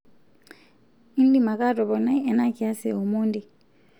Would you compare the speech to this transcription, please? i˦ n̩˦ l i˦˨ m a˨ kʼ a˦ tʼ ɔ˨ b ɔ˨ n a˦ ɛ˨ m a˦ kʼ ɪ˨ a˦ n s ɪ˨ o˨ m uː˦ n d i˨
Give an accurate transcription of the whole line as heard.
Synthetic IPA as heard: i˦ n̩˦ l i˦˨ m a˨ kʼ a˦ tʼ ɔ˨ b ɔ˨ n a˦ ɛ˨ n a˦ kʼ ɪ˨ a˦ s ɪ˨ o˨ m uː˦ n d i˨